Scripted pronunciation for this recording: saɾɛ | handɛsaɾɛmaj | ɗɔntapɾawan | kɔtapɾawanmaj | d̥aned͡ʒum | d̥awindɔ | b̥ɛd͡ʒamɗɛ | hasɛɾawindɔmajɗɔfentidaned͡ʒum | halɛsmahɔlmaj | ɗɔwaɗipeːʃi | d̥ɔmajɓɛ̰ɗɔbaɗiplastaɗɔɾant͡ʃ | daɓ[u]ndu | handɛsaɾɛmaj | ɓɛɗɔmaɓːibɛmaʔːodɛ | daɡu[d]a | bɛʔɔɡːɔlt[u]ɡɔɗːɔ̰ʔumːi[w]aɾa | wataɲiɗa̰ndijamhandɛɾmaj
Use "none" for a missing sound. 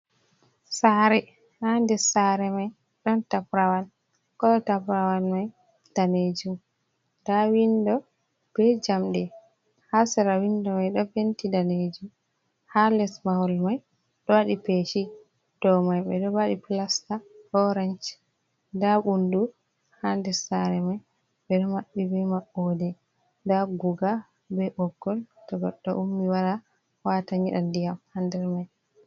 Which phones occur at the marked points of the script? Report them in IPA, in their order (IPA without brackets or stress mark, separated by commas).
u, ɡ, ɔ, w